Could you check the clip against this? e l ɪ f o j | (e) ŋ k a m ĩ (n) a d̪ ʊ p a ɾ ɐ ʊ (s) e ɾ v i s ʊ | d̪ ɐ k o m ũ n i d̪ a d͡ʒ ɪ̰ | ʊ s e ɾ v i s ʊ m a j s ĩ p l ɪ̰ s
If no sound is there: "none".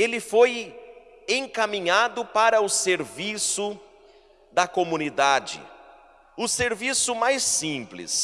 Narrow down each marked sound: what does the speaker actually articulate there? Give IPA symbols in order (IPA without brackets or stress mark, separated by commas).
ẽ, ɲ, s